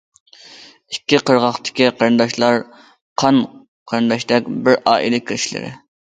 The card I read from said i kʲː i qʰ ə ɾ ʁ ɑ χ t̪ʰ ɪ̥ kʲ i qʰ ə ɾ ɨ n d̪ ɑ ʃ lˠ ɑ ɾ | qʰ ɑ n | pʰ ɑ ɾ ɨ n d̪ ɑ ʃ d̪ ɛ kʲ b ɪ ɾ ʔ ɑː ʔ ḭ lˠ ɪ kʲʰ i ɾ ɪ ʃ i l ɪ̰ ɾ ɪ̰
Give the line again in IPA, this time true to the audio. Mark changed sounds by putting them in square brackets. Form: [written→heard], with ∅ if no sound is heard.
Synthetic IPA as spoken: i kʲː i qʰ ə ɾ ʁ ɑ χ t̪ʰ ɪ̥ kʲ i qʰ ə ɾ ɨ n d̪ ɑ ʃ lˠ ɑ ɾ | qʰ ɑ n | [pʰ→qʰ] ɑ ɾ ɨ n d̪ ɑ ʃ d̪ ɛ kʲ b ɪ ɾ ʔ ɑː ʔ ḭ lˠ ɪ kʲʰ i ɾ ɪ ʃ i l ɪ̰ ɾ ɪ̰